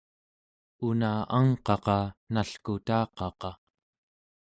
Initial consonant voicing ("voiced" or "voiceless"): voiced